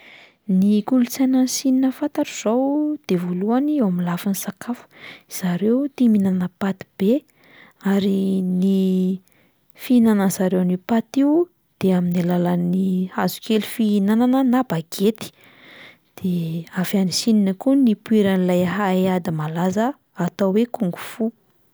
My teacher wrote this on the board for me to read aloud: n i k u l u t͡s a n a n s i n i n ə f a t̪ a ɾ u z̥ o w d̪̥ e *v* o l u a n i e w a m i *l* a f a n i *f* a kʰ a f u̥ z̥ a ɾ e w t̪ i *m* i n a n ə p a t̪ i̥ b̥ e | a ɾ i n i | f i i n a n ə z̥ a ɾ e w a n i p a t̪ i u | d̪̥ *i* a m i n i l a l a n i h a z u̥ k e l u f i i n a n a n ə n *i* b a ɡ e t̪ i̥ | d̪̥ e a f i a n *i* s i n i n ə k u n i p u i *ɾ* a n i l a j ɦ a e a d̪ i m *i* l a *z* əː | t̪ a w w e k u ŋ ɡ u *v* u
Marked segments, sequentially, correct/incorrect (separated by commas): correct, correct, incorrect, correct, incorrect, incorrect, correct, correct, incorrect, correct, incorrect